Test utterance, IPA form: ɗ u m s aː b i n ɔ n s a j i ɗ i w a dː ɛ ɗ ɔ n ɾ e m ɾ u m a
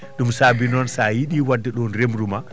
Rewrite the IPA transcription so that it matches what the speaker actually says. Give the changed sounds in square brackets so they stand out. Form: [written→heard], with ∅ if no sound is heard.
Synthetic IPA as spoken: ɗ u m s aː b i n ɔ n s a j i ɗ i w a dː ɛ ɗ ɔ n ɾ e m ɾ u m a